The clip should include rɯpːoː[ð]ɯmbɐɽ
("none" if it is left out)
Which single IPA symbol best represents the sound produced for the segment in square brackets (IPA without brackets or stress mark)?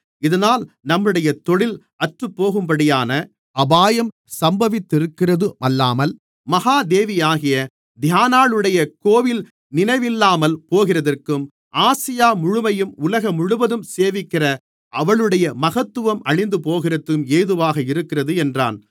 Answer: ɣ